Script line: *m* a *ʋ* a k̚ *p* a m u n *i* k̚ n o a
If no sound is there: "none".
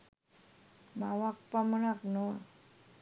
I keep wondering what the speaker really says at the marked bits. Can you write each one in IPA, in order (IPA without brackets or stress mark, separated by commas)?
m, w, p, a